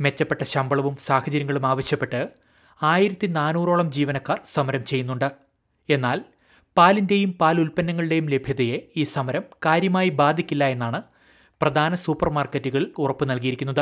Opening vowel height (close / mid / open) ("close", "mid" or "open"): mid